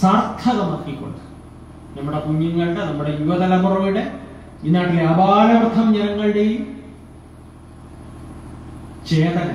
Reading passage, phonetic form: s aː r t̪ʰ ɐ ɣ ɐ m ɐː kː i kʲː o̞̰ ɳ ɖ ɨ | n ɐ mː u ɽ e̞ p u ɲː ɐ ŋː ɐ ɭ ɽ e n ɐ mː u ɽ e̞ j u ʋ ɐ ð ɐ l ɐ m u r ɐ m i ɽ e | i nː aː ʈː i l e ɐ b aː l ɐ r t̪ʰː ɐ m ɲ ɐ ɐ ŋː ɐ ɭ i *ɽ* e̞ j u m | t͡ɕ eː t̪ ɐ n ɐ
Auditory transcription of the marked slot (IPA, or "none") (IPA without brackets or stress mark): ɽ